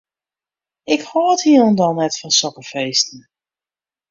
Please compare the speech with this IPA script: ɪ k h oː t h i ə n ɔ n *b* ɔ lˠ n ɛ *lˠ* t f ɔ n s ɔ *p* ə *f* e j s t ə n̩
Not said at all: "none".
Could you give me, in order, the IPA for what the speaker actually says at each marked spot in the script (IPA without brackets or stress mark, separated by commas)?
d, none, k, f